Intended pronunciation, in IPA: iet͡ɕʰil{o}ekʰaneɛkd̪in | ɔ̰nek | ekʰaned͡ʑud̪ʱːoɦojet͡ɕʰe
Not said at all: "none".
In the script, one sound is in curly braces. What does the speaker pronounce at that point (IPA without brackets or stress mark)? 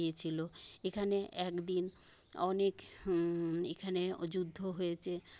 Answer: o